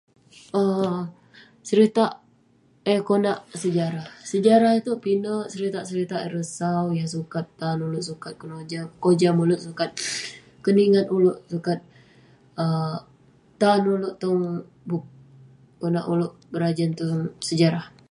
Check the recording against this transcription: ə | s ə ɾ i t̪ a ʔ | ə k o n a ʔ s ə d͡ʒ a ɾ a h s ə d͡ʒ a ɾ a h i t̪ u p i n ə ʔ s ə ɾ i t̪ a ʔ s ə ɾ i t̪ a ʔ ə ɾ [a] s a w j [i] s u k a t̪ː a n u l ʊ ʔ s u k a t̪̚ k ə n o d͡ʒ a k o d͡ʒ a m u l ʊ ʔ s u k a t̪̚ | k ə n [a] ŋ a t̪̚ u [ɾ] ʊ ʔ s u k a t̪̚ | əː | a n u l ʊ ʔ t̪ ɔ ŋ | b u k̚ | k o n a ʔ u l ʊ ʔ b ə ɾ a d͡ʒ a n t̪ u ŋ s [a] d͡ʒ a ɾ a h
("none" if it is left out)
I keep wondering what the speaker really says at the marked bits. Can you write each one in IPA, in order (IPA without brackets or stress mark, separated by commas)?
ə, a, i, l, ə